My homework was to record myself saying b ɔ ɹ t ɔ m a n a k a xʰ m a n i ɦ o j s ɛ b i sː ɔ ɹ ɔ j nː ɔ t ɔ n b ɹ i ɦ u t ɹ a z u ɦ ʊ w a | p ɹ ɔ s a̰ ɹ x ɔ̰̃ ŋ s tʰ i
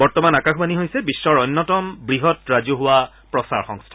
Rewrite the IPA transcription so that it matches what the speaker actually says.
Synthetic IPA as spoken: b ɔ ɹ t ɔ m a n a k a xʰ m a n i ɦ o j s ɛ b i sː ɔ ɹ ɔ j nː ɔ t ɔ m b ɹ i ɦ ɔ t ɹ a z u ɦ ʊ w a | p ɹ ɔ s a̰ ɹ x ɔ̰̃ ŋ s tʰ a